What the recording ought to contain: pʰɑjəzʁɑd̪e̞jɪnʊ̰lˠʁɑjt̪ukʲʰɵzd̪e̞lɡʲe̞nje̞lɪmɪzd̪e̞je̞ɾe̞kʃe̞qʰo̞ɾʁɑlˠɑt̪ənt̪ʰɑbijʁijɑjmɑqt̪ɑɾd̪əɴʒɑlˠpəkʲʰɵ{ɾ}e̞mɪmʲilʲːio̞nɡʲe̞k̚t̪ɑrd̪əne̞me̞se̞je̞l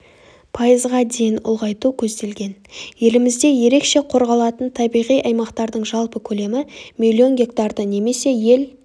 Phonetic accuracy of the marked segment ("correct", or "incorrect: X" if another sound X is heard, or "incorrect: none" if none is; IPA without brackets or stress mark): incorrect: l